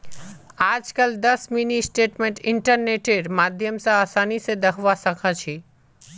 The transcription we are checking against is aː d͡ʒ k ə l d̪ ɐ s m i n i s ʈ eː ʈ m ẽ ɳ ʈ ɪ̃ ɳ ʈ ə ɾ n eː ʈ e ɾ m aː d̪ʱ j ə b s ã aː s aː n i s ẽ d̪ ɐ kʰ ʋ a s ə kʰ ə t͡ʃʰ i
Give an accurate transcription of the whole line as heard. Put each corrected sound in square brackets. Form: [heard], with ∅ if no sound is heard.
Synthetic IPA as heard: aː d͡ʒ k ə l d̪ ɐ s m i n i s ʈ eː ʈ m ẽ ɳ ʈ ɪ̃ ɳ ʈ ə ɾ n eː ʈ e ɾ m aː d̪ʱ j ə [m] s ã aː s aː n i s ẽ d̪ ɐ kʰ ʋ a s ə kʰ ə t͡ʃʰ i